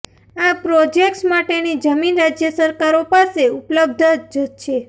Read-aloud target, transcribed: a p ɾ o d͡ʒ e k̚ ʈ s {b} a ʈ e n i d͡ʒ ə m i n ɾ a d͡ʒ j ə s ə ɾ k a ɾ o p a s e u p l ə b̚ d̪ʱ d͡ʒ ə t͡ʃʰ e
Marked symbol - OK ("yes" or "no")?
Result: no